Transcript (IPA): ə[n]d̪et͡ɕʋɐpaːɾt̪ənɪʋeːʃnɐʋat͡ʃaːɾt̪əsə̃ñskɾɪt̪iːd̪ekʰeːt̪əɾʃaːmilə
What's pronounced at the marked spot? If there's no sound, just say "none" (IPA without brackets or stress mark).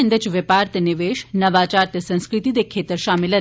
n